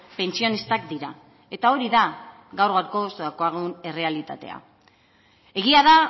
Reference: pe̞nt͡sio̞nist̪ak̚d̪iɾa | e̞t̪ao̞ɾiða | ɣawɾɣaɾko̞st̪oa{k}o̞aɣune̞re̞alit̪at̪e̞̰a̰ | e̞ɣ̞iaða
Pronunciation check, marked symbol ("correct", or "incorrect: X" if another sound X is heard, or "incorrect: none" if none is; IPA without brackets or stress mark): correct